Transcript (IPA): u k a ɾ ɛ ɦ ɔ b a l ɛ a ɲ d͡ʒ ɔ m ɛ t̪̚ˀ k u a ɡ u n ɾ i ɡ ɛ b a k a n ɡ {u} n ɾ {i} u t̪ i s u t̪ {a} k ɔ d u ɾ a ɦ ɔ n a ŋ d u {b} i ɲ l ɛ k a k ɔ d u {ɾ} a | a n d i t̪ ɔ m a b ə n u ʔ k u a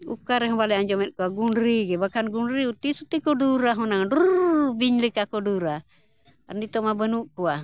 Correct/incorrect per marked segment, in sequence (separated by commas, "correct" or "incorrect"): correct, correct, incorrect, correct, correct